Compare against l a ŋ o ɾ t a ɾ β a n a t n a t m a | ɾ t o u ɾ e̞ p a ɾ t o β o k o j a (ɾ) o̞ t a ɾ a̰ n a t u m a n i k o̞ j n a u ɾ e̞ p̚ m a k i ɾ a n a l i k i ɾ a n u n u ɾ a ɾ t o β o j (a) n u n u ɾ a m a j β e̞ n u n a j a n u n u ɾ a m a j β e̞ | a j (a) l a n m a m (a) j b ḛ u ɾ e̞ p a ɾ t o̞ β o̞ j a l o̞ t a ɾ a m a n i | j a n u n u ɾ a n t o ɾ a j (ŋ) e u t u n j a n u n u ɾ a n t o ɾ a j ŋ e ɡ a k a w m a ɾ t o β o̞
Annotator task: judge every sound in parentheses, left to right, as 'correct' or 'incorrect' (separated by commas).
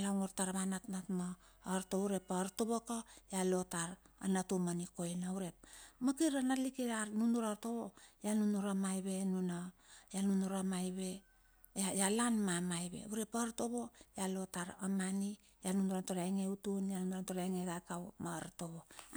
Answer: incorrect, correct, correct, correct, correct